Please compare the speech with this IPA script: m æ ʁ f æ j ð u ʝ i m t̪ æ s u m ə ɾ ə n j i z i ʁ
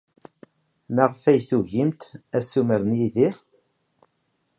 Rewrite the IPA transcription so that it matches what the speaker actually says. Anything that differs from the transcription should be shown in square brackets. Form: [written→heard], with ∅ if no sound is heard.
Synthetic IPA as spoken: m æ ʁ f æ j [ð→θ] u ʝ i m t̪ æ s u m ə ɾ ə n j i [z→ð] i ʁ